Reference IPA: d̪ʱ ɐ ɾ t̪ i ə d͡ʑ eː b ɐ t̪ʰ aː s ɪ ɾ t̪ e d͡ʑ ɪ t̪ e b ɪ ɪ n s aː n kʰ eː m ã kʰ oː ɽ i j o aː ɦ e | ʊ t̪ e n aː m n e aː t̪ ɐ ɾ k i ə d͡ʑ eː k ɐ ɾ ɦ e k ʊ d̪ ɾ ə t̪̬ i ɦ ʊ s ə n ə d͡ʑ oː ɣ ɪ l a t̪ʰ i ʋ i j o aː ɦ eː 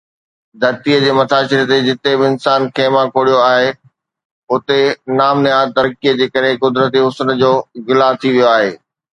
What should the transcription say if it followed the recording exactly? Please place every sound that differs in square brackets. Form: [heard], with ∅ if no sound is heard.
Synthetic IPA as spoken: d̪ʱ ɐ ɾ t̪ i ə d͡ʑ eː [m] ɐ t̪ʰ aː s ɪ ɾ t̪ e d͡ʑ ɪ t̪ e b ɪ ɪ n s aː n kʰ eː m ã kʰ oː ɽ i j o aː ɦ e | ʊ t̪ e n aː m n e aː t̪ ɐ ɾ k i ə d͡ʑ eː k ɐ ɾ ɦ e k ʊ d̪ ɾ ə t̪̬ i ɦ ʊ s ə n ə d͡ʑ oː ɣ ɪ l a t̪ʰ i ʋ i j o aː ɦ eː